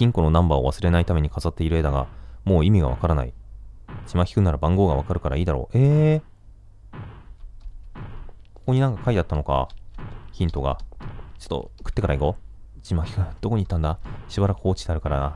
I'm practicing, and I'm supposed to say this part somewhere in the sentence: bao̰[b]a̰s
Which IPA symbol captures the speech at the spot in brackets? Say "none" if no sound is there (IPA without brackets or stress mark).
β